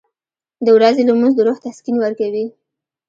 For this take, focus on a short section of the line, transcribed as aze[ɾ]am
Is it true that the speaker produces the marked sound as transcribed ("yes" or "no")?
no